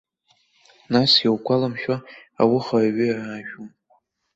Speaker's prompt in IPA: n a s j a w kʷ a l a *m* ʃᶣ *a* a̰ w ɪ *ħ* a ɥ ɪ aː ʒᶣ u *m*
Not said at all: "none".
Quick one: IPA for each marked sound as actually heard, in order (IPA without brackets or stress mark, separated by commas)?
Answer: m, a, χ, m